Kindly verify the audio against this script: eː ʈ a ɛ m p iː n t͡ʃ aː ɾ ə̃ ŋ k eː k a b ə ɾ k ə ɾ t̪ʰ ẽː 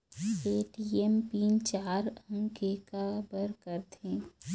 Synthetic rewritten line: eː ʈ i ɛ m p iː n t͡ʃ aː ɾ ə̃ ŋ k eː k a b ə ɾ k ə ɾ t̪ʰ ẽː